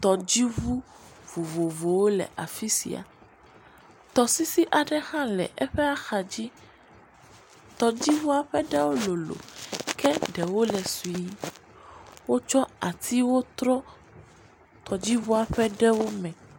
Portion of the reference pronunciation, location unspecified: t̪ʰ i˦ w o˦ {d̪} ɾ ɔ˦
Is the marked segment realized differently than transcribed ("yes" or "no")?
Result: yes